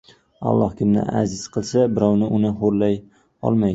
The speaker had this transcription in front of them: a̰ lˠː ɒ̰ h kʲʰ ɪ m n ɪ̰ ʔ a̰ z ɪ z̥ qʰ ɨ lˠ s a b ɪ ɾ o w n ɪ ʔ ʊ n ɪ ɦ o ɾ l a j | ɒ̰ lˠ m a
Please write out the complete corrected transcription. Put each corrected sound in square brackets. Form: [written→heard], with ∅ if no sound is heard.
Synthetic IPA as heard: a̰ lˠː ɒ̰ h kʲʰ ɪ m n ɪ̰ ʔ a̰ z ɪ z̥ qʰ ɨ lˠ s a b ɪ ɾ [o→ɒ] w n ɪ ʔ ʊ n ɪ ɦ o ɾ l a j | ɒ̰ lˠ m a